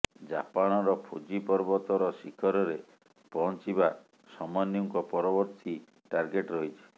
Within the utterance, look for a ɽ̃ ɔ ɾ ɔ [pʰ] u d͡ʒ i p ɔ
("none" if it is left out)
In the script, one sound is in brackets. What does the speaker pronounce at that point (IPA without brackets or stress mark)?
pʰ